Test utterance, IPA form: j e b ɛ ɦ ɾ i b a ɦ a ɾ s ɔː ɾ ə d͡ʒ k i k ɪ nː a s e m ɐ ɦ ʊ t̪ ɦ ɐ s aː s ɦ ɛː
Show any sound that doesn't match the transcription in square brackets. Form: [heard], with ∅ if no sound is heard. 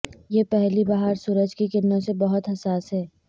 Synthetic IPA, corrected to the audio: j e [p] ɛ ɦ [l] i b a ɦ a ɾ s [uː] ɾ ə d͡ʒ k i k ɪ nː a s e [b] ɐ ɦ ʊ t̪ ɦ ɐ s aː s ɦ ɛː